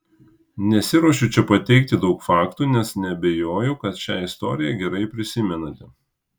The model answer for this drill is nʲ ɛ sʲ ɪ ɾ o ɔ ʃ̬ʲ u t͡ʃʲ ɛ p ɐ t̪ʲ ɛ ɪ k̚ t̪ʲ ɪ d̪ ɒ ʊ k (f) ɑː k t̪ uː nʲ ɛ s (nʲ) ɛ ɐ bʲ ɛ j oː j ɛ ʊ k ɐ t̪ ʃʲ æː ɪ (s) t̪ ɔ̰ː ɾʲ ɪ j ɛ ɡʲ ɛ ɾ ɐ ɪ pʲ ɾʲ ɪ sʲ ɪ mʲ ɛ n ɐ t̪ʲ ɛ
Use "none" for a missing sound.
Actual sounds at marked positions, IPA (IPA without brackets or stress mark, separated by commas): f, nʲ, s